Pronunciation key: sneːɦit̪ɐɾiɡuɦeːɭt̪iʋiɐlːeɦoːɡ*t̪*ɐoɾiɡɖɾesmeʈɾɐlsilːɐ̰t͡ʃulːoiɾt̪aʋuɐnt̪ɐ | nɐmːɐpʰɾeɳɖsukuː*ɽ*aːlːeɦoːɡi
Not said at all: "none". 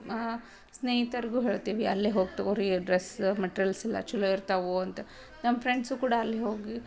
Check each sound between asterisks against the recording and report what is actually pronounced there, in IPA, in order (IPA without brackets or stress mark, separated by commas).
t̪, ɽ